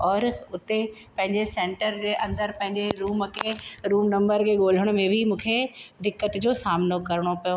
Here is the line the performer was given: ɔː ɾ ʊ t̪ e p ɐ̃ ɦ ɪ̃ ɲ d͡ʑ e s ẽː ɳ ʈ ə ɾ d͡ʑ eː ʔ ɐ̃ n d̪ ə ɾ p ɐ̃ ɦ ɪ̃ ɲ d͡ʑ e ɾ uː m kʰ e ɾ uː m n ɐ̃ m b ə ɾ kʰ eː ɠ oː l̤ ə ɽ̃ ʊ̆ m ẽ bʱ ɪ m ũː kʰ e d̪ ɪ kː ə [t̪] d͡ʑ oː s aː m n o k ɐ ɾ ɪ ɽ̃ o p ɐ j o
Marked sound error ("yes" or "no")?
no